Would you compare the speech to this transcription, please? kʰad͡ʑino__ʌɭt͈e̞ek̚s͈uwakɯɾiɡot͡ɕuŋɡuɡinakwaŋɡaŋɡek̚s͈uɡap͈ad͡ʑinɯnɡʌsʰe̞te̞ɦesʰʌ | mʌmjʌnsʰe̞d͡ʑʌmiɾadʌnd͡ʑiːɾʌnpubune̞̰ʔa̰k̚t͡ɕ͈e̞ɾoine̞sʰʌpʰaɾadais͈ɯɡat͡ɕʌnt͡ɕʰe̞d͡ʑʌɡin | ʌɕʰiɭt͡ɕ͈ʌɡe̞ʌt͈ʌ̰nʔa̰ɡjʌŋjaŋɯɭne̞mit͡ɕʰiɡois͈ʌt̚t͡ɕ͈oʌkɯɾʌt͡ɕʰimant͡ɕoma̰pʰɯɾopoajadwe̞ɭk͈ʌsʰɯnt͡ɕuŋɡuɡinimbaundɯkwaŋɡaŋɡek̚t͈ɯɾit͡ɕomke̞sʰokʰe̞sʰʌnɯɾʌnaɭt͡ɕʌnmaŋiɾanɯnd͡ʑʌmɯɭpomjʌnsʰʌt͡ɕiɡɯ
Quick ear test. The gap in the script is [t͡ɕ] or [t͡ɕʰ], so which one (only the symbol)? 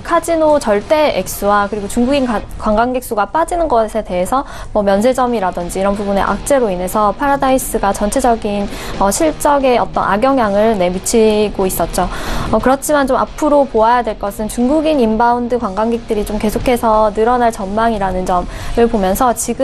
t͡ɕ